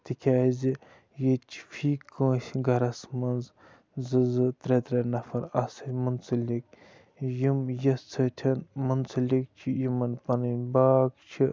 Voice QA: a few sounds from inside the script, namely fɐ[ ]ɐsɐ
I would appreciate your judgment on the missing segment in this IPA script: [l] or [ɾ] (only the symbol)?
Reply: ɾ